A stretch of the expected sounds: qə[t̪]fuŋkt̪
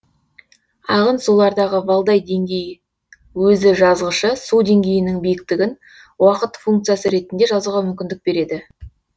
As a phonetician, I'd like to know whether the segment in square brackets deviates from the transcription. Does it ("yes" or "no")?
no